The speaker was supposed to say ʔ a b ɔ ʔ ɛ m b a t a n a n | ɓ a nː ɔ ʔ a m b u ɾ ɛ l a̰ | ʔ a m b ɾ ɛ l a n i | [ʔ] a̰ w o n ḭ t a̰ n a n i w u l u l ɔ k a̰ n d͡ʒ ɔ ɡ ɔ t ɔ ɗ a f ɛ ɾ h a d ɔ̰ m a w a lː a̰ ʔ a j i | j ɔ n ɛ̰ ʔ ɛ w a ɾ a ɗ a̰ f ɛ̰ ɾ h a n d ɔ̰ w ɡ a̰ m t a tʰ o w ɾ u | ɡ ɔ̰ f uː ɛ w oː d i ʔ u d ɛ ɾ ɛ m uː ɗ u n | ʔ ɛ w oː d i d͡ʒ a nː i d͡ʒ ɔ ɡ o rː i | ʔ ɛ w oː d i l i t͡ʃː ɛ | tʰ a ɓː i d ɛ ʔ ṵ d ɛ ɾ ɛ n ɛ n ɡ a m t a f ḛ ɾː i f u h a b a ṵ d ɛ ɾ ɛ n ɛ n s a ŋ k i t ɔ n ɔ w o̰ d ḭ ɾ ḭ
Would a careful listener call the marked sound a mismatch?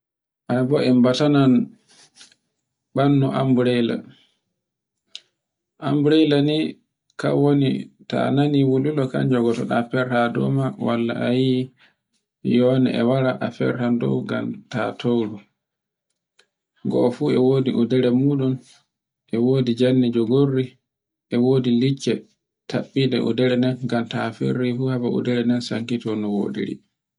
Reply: yes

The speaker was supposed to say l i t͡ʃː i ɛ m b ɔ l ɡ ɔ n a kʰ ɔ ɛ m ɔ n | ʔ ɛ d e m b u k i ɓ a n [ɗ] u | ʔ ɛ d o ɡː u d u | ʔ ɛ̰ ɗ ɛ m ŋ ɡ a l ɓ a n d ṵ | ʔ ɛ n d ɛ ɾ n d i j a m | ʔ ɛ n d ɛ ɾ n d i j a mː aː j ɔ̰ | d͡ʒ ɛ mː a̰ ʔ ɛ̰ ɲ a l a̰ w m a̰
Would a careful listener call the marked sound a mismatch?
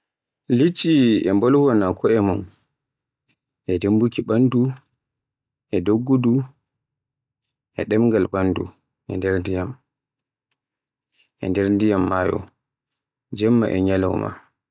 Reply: yes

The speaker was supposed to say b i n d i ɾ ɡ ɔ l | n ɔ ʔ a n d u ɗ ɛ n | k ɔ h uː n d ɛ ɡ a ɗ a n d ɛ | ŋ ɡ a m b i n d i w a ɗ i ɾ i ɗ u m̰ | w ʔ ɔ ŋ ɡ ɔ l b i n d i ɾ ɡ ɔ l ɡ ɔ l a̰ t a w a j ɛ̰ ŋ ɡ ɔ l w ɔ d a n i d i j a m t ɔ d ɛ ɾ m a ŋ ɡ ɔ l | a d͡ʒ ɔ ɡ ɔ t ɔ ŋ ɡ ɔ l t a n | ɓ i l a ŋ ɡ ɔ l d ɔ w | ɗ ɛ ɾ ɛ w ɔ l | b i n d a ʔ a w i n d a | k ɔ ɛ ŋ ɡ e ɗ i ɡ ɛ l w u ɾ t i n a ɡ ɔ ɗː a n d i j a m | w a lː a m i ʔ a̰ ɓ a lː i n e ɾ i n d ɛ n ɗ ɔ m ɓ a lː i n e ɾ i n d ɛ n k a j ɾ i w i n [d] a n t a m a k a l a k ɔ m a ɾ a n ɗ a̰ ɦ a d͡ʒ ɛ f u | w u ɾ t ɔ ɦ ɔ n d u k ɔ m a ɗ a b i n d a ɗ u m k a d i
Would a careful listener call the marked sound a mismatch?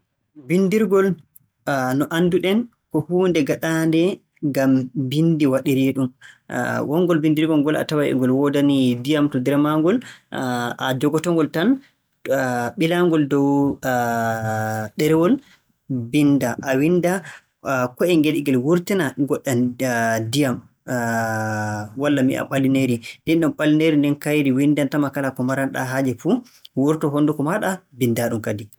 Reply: no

